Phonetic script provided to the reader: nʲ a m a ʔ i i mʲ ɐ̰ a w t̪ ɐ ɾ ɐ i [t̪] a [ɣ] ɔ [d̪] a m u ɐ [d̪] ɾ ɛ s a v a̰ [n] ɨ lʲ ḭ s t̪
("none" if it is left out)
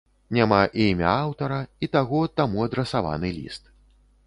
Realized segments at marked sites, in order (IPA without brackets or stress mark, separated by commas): t̪, ɣ, t̪, d̪, n